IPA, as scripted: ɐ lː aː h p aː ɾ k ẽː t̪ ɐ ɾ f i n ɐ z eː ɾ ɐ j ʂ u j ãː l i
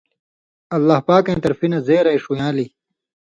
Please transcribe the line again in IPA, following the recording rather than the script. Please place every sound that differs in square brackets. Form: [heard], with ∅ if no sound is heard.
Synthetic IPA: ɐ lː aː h p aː [∅] k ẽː t̪ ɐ ɾ f i n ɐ z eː ɾ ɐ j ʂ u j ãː l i

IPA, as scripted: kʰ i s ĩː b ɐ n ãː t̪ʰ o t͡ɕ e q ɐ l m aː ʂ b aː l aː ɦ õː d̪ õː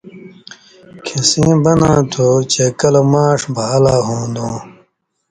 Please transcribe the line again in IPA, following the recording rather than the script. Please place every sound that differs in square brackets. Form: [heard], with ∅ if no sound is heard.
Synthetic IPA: kʰ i s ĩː b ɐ n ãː t̪ʰ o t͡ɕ e [k] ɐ l m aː ʂ b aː l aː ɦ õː d̪ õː

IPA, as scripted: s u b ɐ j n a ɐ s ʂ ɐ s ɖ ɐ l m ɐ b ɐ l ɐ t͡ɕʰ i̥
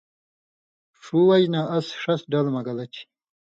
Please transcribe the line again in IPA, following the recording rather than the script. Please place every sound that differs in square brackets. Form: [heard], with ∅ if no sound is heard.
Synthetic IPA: [ʂ] u [w] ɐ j n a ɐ s ʂ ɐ s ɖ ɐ l m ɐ [ɡ] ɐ l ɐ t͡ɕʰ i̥

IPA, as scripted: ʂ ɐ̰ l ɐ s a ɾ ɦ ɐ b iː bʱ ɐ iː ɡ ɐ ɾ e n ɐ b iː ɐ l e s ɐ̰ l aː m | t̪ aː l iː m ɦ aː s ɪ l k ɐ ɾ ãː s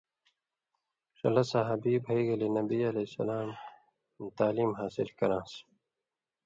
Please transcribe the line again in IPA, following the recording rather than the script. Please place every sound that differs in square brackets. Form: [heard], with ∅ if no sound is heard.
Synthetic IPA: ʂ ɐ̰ l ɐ s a [∅] ɦ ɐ b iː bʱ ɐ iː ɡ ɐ [l] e n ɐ b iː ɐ l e s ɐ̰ l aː m | t̪ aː l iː m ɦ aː s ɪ l k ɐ ɾ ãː s

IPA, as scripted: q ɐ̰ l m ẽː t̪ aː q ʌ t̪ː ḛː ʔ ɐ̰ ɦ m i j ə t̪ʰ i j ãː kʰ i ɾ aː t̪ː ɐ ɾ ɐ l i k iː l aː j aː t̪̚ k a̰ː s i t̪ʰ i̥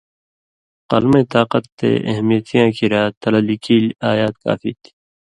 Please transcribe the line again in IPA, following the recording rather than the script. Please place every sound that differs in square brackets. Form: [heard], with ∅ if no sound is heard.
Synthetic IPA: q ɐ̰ l m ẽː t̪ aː q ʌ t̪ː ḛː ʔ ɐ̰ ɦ m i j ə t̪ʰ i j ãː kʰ i ɾ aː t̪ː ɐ [l] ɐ l i k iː l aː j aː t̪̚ k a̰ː [f] i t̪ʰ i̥

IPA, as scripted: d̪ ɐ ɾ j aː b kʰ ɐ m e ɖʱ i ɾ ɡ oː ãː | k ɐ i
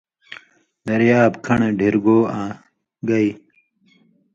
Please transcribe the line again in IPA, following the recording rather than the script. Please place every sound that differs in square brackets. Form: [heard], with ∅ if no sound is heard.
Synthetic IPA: d̪ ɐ ɾ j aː b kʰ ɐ [ɳ] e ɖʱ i ɾ ɡ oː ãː | [ɡ] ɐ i

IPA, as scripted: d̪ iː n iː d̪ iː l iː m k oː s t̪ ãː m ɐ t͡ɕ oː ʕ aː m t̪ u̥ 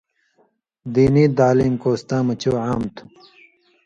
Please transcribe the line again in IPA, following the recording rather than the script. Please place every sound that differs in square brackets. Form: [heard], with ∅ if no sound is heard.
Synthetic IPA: d̪ iː n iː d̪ [aː] l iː m k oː s t̪ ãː m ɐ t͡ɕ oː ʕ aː m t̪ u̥

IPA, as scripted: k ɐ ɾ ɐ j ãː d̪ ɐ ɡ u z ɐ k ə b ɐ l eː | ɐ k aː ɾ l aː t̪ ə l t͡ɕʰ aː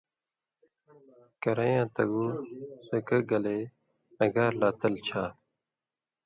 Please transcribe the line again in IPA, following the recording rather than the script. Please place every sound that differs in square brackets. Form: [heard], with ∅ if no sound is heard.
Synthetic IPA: k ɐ ɾ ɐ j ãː [t̪] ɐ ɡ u [s] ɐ k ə [ɡ] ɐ l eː | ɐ [ɡ] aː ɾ l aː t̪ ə l t͡ɕʰ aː

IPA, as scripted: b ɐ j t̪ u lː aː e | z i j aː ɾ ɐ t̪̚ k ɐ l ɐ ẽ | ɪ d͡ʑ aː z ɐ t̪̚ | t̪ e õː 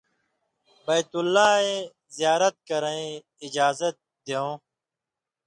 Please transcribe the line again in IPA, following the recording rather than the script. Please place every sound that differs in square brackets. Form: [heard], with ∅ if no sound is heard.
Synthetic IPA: b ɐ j t̪ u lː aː e | z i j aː ɾ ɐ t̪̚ k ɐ [ɾ] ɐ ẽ | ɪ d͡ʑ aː z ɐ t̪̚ | [d̪] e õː

